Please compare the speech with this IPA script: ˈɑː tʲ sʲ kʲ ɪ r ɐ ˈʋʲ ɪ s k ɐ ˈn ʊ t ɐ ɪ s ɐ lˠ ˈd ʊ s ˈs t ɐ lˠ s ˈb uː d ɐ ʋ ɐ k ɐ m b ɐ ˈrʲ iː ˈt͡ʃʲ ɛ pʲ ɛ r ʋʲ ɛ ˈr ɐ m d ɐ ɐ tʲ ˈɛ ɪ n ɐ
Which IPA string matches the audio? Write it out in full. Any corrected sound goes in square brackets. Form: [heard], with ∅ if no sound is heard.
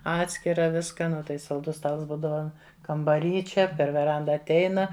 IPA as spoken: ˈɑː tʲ sʲ kʲ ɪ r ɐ ˈʋʲ ɪ s k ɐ ˈn ʊ t ɐ ɪ s ɐ lˠ ˈd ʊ s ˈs t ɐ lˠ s ˈb uː d ɐ ʋ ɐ k ɐ m b ɐ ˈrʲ iː ˈt͡ʃʲ ɛ pʲ ɛ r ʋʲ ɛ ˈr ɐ [n] d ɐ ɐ tʲ ˈɛ ɪ n ɐ

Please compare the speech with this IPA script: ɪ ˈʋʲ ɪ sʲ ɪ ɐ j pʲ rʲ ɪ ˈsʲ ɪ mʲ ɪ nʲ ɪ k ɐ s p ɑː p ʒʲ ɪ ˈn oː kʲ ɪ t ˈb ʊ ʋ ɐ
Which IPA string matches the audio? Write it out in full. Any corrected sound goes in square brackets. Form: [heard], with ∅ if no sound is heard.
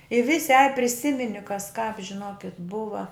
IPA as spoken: ɪ ˈʋʲ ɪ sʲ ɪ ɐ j pʲ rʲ ɪ ˈsʲ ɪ mʲ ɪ nʲ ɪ k ɐ s [k] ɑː p ʒʲ ɪ ˈn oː kʲ ɪ t ˈb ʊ ʋ ɐ

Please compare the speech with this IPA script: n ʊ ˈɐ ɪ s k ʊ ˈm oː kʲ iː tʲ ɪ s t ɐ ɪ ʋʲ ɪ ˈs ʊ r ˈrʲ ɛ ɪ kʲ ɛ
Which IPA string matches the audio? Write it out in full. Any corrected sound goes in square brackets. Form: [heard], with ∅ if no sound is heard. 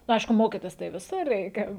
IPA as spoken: n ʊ ˈɐ ɪ [ʃ] k ʊ ˈm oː kʲ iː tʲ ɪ s t ɐ ɪ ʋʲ ɪ ˈs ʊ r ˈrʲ ɛ ɪ kʲ ɛ

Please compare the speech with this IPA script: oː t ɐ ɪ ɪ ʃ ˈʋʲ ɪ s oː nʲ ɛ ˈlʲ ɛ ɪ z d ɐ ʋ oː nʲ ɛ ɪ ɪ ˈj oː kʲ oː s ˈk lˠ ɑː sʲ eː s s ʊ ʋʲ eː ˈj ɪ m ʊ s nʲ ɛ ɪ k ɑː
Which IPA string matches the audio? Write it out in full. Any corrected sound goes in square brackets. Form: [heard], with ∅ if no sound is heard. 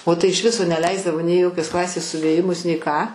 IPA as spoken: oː t ɐ ɪ ɪ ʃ ˈʋʲ ɪ s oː nʲ ɛ ˈlʲ ɛ ɪ z d ɐ ʋ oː nʲ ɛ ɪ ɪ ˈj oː kʲ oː s ˈk lˠ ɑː sʲ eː s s ʊ ʋʲ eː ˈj ɪ m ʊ s nʲ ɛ ɪ k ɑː

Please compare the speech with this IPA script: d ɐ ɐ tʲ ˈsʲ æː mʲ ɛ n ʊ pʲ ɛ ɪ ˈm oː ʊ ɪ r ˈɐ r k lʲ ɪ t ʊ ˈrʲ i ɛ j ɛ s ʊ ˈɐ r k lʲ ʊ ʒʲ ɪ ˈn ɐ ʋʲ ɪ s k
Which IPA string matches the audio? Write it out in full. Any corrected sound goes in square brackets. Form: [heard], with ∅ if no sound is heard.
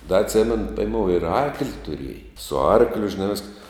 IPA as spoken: d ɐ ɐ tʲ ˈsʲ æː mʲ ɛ n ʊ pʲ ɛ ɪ ˈm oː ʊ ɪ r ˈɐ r k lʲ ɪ t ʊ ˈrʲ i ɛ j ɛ s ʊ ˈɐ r k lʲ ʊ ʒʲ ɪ ˈn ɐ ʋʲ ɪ s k

